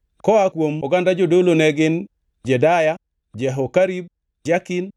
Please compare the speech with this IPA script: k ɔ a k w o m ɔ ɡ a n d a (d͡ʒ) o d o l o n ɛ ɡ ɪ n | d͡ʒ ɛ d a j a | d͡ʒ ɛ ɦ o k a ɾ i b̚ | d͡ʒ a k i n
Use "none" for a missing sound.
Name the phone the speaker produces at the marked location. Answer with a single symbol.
d͡ʒ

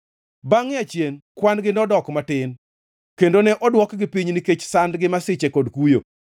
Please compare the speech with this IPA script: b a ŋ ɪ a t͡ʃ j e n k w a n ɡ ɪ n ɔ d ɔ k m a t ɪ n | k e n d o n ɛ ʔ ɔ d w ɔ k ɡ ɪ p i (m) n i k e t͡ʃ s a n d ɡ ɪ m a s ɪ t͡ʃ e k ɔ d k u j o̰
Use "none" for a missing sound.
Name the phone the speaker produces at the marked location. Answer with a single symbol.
ɲ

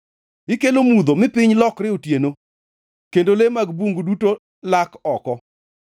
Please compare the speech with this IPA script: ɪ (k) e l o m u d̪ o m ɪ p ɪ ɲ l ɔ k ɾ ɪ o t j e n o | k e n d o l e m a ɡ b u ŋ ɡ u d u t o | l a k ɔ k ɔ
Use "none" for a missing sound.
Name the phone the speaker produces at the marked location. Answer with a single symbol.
k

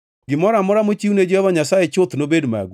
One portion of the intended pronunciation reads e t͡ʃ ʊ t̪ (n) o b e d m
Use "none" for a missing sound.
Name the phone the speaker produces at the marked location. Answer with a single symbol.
n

